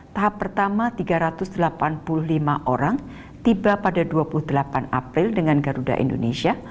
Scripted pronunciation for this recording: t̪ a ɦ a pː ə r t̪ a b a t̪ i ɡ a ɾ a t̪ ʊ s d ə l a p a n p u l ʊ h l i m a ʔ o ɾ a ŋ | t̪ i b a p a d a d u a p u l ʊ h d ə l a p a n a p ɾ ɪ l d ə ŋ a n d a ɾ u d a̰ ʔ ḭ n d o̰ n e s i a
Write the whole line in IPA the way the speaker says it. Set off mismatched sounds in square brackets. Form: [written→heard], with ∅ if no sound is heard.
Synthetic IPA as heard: t̪ a ɦ a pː ə r t̪ a [b→m] a t̪ i ɡ a ɾ a t̪ ʊ s d ə l a p a n p u l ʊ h l i m a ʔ o ɾ a ŋ | t̪ i b a p a d a d u a p u l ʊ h d ə l a p a n a p ɾ ɪ l d ə ŋ a n [d→ɡ] a ɾ u d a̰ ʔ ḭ n d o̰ n e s i a

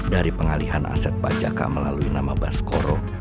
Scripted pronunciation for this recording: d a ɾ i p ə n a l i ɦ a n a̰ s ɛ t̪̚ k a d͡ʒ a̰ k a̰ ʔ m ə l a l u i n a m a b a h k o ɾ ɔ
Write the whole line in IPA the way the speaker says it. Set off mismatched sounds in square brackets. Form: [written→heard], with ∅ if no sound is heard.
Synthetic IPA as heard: d a ɾ i p ə [n→ŋ] a l i ɦ a n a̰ s ɛ t̪̚ [k→p] a d͡ʒ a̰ k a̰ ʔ m ə l a l u i n a m a b a [h→s] k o ɾ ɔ

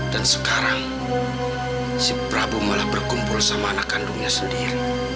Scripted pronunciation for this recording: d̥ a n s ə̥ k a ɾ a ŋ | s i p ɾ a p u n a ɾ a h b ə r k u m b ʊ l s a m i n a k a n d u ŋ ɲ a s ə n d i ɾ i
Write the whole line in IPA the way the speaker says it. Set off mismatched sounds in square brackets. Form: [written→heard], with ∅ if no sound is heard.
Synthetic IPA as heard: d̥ a n s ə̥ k a ɾ a ŋ | s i p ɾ a [p→b] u [n→m] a [ɾ→l] a h b ə r k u m [b→p] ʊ l s a m [i→a] n a k a n d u ŋ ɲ a s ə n d i ɾ i

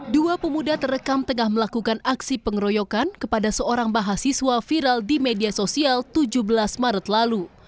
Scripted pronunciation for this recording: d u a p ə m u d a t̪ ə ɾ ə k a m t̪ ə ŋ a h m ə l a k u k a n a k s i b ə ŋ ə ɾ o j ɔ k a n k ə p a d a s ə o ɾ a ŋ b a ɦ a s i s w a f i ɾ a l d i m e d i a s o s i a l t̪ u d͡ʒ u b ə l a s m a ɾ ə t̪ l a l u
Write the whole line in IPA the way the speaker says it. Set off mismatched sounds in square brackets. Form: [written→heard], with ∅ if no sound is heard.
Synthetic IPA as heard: d u a p ə m u d a t̪ ə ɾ ə k a m t̪ ə ŋ a h m ə l a k u k a n a k s i [b→p] ə ŋ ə ɾ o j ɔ k a n k ə p a d a s ə o ɾ a ŋ b a ɦ a s i s w a f i ɾ a l d i m e d i a s o s i a l t̪ u d͡ʒ u b ə l a s m a ɾ ə t̪ l a l u

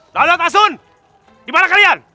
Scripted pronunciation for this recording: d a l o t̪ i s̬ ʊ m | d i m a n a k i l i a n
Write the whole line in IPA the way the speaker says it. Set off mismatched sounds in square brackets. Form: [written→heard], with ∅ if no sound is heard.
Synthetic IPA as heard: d a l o t̪ [i→a] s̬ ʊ [m→n] | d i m a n a k [i→a] l i a n

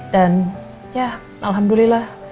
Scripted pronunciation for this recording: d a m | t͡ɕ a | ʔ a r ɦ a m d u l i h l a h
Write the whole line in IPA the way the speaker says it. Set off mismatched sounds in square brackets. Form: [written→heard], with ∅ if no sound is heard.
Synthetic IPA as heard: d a [m→n] | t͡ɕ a | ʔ a [r→l] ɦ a m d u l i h l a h

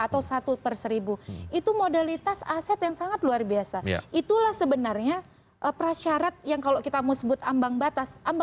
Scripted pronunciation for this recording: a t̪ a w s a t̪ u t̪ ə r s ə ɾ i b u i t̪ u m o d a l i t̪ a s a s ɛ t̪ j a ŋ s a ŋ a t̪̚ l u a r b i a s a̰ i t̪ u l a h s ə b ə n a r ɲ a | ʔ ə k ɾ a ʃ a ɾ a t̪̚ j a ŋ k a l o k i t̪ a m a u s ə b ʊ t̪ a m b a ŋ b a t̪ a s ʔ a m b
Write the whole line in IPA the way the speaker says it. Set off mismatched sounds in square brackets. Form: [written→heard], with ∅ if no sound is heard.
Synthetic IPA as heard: a t̪ a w s a t̪ u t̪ ə r s ə ɾ i b u i t̪ u m o d a l i t̪ a s a s ɛ t̪ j a ŋ s a ŋ a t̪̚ l u a r b i a s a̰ i t̪ u l a h s ə b ə n a r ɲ a | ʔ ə [k→p] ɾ a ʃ a ɾ a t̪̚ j a ŋ k a l o k i t̪ a m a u s ə b ʊ t̪ a m b a ŋ b a t̪ a s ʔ a m b

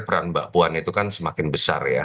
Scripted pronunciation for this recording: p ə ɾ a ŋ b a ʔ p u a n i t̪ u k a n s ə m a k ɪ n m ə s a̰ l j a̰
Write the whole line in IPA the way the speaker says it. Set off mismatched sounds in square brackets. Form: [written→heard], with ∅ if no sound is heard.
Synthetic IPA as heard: p ə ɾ a [ŋ→n] b a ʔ p u a n i t̪ u k a n s ə m a k ɪ n [m→b] ə s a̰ [l→r] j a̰

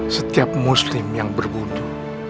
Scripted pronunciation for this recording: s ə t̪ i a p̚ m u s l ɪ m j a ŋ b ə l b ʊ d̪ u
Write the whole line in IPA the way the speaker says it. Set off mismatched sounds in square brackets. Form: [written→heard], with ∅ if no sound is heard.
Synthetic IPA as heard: s ə t̪ i a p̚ m u s l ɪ m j a ŋ b ə [l→r] b [ʊ→u] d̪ u

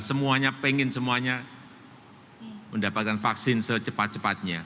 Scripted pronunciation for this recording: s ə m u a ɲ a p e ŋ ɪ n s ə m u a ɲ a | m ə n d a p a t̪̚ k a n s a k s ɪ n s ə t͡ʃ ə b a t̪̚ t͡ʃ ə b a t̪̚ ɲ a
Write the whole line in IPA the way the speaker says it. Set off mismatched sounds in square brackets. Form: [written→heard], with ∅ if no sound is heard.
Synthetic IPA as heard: s ə m u a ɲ a p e ŋ ɪ n s ə m u a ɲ a | m ə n d a p a t̪̚ k a n [s→f] a k s ɪ n s ə t͡ʃ ə [b→p] a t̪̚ t͡ʃ ə [b→p] a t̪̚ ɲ a

